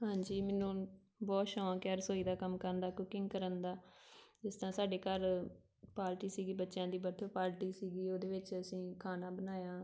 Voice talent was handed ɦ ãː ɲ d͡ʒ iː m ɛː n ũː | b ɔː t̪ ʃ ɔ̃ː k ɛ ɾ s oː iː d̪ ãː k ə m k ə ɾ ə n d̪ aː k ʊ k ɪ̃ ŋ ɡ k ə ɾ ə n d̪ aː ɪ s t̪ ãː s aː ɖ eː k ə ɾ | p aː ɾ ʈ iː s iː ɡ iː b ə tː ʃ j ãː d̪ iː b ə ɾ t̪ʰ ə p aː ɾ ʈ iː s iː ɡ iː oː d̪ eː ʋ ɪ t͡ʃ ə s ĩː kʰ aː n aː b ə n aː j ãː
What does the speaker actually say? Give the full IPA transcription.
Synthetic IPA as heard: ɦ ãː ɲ d͡ʒ iː m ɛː n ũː | b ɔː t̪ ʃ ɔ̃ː k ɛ ɾ s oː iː d̪ aː k ə m k ə ɾ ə n d̪ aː k ʊ k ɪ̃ ŋ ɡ k ə ɾ ə n d̪ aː ɪ s t̪ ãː s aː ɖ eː k ə ɾ | p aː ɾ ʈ iː s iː ɡ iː b ə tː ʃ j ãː d̪ iː b ə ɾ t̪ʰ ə p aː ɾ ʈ iː s iː ɡ iː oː d̪ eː ʋ ɪ t͡ʃ ə s ĩː kʰ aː n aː b ə n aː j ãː